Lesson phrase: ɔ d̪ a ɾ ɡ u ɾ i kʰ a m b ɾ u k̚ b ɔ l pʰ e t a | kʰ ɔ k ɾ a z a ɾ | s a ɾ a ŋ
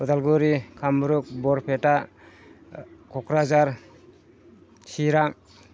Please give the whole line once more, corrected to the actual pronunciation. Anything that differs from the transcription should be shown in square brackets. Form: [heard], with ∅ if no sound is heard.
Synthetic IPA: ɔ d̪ a [l] ɡ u ɾ i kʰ a m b ɾ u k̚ b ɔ [ɾ] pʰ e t a | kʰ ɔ k ɾ a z a ɾ | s [i] ɾ a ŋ